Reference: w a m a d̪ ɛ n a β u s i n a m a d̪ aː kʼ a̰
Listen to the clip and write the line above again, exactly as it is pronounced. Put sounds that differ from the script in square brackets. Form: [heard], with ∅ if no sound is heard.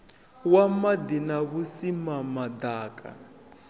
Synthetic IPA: w a m a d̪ [i] n a β u s i [m] a m a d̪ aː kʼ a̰